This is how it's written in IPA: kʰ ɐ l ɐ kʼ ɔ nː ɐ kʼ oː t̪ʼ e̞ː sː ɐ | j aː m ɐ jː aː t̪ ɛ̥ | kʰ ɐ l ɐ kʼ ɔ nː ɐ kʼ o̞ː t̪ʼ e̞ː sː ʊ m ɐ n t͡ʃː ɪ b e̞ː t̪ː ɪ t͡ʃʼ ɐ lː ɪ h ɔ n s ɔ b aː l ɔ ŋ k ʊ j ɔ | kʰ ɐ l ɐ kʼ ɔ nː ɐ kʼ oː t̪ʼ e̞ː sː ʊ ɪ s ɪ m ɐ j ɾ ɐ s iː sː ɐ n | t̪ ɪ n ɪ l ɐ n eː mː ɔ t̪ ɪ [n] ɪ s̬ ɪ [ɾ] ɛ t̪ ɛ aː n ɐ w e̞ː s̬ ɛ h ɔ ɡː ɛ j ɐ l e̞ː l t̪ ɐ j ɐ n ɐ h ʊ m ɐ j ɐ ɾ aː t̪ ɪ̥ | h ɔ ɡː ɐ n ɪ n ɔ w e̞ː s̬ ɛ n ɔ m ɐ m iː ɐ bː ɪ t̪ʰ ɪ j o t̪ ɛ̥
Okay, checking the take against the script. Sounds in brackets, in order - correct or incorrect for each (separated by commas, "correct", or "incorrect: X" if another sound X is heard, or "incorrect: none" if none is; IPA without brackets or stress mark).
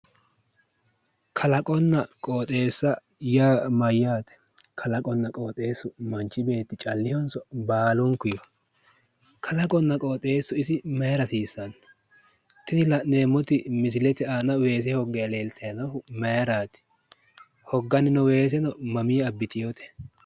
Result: incorrect: m, incorrect: l